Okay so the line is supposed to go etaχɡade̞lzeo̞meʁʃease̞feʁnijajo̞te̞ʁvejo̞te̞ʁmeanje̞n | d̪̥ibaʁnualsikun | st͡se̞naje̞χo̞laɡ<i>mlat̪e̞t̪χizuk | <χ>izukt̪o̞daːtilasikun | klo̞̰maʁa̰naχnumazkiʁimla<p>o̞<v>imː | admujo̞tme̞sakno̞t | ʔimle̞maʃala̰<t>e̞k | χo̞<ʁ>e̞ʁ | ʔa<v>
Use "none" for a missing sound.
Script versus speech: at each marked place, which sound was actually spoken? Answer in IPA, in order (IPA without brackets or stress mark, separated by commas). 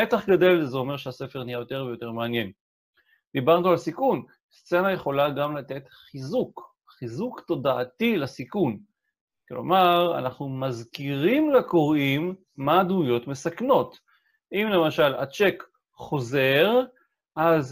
a, χ, k, ʁ, t͡ʃ, z, z